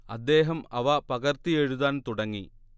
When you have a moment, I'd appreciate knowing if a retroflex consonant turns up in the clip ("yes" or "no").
yes